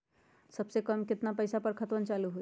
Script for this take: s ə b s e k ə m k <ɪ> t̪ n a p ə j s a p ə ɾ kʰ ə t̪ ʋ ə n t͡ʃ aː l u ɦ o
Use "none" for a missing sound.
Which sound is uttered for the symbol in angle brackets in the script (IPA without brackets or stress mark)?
ɪ